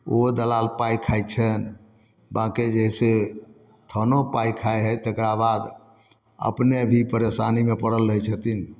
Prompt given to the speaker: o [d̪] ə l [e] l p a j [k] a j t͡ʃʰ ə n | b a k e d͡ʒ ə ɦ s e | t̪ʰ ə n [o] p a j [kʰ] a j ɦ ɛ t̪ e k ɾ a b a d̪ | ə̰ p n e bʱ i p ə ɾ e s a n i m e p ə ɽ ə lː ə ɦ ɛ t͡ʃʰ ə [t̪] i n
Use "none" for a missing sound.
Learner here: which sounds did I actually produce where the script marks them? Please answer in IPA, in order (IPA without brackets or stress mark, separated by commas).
d̪, a, kʰ, o, kʰ, t̪